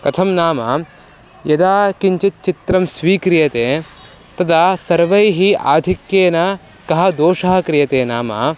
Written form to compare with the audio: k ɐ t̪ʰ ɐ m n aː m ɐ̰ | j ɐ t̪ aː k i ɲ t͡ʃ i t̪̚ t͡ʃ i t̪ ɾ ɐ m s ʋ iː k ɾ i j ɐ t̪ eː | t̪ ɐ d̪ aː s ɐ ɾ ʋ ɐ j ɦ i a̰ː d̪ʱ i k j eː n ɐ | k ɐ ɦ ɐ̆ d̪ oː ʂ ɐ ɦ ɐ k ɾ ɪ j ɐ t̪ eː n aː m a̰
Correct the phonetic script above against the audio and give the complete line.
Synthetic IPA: k ɐ t̪ʰ ɐ m n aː m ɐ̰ | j ɐ d̪ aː k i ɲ t͡ʃ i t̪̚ t͡ʃ i t̪ ɾ ɐ m s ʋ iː k ɾ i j ɐ t̪ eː | t̪ ɐ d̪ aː s ɐ ɾ ʋ ɐ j ɦ i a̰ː d̪ʱ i k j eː n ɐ | k ɐ ɦ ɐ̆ d̪ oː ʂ ɐ ɦ ɐ k ɾ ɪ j ɐ t̪ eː n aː m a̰